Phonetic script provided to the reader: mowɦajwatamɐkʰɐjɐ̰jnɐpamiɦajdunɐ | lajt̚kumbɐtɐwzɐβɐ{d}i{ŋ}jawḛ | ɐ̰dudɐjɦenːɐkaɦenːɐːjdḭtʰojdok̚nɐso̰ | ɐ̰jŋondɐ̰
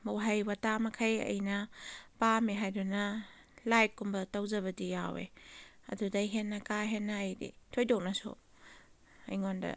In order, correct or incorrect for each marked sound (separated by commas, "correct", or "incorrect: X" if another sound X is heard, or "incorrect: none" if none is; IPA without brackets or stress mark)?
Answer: correct, incorrect: none